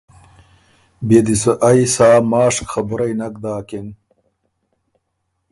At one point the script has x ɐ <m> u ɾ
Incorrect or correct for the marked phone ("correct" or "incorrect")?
incorrect